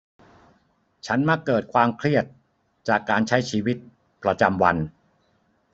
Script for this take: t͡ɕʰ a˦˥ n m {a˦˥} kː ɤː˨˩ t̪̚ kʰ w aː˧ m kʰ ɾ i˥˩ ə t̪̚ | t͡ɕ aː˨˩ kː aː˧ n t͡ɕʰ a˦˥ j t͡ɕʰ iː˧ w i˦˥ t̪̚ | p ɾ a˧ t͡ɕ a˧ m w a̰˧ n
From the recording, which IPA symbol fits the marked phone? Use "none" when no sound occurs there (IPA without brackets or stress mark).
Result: a˦˥